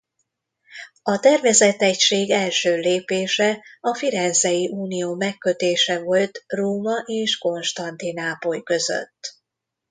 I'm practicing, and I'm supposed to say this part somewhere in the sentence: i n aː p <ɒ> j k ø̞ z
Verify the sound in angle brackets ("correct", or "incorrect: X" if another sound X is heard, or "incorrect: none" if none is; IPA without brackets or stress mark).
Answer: incorrect: o